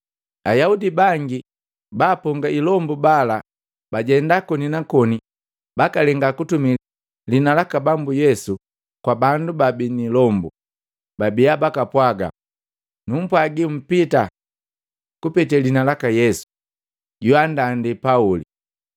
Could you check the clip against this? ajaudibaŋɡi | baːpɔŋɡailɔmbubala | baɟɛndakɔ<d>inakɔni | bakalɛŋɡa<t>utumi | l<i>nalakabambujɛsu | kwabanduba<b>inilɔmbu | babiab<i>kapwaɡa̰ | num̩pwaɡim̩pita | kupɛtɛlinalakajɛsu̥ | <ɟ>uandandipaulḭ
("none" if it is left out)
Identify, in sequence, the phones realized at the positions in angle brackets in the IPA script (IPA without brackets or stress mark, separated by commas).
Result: n, k, i, b, a, ɟ